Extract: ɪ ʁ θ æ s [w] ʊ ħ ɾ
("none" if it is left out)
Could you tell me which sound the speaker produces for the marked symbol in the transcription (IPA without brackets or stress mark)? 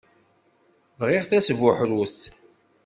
v